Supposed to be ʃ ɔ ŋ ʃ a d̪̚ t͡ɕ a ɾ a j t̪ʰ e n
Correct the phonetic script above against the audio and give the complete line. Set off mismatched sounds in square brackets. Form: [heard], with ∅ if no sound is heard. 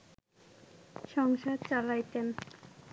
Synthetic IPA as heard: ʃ ɔ ŋ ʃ a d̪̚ t͡ɕ a [l] a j [t̪] e n